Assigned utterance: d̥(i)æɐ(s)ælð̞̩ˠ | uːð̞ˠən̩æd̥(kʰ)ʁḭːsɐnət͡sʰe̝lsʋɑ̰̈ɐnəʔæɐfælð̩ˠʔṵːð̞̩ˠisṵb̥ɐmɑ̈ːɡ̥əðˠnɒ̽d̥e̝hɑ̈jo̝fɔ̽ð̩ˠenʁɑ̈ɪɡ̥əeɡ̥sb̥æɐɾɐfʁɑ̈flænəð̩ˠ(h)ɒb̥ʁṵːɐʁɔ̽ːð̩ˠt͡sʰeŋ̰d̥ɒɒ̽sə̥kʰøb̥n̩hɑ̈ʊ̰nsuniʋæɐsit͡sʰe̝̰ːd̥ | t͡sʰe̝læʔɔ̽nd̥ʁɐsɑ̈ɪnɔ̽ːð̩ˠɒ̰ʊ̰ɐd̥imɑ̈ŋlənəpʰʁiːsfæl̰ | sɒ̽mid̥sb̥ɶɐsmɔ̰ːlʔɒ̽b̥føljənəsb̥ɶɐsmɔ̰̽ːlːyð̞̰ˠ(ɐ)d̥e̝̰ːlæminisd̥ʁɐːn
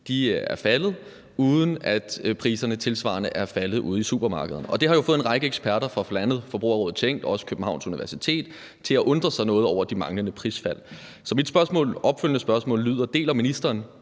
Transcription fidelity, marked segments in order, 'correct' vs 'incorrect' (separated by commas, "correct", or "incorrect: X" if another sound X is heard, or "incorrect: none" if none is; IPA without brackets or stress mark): correct, incorrect: f, incorrect: pʰ, incorrect: f, correct